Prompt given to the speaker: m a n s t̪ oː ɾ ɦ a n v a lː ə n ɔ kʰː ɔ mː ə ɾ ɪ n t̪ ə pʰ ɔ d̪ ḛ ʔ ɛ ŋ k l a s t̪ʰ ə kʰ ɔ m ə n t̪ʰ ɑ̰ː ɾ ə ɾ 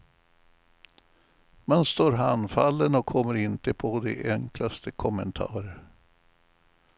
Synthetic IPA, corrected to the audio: m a n s t̪ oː ɾ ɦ a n f a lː ə n ɔ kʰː ɔ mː ə ɾ ɪ n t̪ ə pʰ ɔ d̪ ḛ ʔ ɛ ŋ k l a s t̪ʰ ə kʰ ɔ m ə n t̪ʰ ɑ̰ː ɾ ə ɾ